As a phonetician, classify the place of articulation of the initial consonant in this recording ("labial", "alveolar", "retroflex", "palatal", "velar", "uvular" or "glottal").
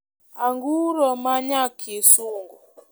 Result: velar